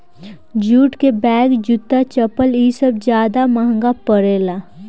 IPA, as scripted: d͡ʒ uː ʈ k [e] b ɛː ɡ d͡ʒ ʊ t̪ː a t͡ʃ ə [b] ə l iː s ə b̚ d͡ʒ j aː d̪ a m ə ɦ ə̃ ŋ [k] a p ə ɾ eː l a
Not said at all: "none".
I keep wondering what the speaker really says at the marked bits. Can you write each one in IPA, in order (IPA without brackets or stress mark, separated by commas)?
e, p, ɡ